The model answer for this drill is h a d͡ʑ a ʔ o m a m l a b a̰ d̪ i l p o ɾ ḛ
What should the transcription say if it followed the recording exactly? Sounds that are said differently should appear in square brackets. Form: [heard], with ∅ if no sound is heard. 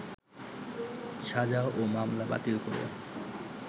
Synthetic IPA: [ʃ] a d͡ʑ a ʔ o m a m l a b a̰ [t̪] i l [k] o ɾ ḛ